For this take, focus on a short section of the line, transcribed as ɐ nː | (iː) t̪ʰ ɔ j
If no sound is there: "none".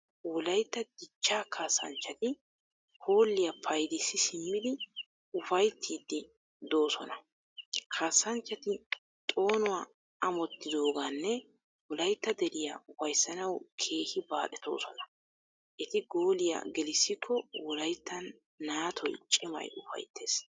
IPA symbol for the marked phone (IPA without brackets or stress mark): aː